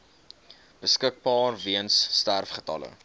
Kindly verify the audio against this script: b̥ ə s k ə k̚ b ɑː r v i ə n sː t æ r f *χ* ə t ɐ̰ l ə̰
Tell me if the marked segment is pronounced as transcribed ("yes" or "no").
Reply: yes